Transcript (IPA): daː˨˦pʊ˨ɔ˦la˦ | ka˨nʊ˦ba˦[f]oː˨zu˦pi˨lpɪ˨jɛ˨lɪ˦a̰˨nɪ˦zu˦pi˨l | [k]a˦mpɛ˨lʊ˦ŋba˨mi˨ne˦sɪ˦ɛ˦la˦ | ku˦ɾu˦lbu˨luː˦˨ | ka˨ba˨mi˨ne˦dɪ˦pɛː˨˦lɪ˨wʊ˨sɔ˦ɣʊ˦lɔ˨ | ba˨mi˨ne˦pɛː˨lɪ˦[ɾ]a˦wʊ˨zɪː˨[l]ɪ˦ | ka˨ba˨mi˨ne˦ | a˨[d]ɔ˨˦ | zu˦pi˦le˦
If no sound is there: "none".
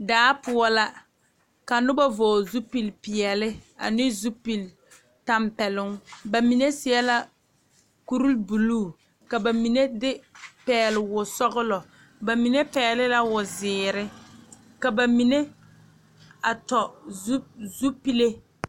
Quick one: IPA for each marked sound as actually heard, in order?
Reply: v, t, l, ɾ, t

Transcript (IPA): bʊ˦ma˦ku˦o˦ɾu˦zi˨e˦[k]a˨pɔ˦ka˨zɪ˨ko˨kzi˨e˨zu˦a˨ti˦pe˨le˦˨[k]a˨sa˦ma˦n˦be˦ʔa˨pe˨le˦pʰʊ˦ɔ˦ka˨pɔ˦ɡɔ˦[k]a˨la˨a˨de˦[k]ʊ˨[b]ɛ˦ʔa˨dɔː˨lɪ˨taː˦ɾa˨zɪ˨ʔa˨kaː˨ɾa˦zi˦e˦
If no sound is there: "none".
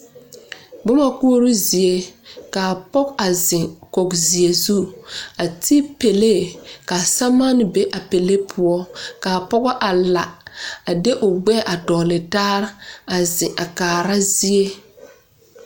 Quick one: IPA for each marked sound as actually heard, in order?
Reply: k, k, ʔ, ʔ, ɡ͡b

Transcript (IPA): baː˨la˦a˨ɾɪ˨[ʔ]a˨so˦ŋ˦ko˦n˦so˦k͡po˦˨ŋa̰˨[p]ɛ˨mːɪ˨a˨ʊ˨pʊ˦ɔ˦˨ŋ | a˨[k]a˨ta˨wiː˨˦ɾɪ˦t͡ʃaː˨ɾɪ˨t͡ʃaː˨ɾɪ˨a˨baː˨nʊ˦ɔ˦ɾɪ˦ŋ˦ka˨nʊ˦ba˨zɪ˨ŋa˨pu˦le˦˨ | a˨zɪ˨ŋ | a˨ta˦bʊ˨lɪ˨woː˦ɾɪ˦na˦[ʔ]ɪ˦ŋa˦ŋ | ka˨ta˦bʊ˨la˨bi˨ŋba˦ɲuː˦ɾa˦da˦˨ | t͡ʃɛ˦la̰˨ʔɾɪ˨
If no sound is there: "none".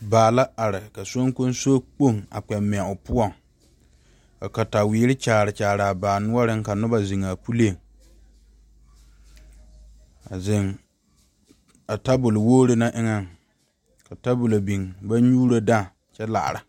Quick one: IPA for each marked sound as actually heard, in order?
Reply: k, k͡p, k, ʔ

